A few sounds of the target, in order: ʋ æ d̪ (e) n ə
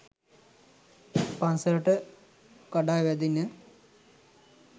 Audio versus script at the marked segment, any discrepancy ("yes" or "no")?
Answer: yes